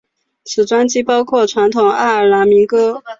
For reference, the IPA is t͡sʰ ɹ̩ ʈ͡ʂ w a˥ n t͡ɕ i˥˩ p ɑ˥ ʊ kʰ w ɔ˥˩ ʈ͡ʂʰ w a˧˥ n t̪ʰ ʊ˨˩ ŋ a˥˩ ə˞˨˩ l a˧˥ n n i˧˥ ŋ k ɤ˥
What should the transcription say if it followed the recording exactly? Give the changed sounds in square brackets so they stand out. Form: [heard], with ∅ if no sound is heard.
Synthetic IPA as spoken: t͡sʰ ɹ̩ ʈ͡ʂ w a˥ n t͡ɕ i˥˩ p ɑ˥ ʊ kʰ w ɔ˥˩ ʈ͡ʂʰ w a˧˥ n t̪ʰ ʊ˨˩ ŋ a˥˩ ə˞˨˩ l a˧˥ n [m] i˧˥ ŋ k ɤ˥